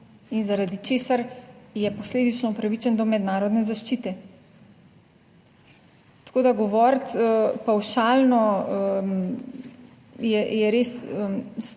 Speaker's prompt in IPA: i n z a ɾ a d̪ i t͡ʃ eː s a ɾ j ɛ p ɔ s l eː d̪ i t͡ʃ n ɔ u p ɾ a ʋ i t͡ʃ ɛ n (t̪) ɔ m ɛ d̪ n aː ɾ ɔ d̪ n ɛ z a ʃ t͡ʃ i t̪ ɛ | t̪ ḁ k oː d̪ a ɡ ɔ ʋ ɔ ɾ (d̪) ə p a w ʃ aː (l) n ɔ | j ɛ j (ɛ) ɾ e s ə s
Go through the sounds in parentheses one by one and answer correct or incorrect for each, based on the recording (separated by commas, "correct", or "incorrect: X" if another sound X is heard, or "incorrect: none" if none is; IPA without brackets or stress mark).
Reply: incorrect: d̪, incorrect: t̪, correct, correct